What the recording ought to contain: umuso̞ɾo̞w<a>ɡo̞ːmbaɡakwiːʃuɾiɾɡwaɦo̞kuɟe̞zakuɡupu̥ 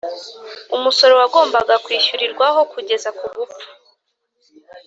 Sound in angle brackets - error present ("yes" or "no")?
no